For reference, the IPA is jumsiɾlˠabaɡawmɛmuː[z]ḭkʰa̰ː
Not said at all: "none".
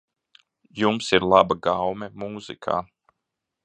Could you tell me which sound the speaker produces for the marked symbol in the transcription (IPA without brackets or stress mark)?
z